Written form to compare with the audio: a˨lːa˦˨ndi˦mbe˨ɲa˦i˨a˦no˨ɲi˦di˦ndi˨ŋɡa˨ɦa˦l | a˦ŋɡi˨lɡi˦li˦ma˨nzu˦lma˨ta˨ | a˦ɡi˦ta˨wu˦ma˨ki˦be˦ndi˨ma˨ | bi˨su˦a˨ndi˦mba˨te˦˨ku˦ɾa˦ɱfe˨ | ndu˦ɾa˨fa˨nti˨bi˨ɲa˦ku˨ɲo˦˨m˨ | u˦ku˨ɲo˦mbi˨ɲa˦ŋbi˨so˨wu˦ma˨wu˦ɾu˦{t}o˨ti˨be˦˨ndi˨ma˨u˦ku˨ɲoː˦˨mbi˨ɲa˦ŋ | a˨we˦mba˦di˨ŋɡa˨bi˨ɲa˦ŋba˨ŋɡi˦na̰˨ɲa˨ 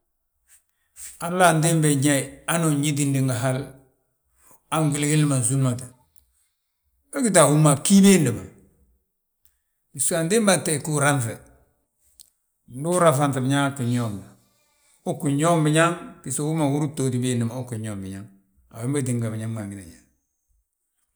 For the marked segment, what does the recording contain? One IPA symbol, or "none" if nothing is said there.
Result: t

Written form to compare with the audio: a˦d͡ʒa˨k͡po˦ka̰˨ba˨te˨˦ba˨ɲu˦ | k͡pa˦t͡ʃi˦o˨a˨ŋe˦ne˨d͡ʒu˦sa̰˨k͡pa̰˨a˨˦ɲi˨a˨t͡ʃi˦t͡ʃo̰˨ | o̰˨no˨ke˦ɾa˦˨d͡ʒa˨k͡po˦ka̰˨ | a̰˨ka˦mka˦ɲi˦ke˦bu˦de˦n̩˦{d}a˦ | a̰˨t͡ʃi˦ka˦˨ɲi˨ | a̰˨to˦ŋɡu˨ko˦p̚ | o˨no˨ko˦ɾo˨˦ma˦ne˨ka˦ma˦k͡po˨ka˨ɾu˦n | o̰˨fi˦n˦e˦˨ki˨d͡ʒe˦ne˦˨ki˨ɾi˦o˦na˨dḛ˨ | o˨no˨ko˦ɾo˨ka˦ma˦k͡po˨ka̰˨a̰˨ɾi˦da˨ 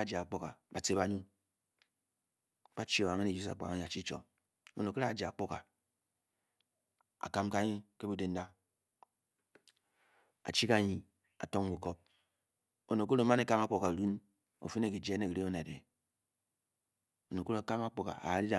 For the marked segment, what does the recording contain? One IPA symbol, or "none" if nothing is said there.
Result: d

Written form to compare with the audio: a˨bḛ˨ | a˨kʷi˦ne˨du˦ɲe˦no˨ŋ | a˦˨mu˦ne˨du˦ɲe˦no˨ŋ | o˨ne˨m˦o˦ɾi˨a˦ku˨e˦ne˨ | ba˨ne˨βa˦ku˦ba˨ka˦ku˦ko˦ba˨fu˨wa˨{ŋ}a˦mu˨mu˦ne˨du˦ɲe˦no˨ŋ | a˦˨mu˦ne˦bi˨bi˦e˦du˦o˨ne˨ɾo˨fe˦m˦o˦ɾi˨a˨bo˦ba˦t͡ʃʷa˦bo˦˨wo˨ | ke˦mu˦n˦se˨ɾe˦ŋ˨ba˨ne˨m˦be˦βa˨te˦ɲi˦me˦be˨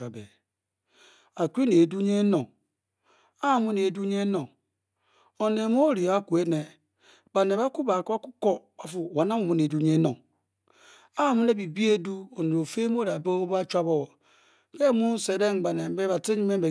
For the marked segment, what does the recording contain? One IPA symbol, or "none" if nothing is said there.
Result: n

